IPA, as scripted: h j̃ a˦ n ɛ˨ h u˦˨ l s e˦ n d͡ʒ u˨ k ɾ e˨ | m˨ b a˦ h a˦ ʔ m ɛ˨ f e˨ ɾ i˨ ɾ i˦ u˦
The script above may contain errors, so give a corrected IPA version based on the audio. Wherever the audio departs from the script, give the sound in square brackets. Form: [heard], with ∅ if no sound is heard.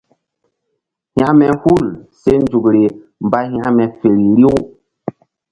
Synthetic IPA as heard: h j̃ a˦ [m] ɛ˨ h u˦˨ l s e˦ n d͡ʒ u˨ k ɾ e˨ | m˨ b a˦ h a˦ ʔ m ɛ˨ f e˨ ɾ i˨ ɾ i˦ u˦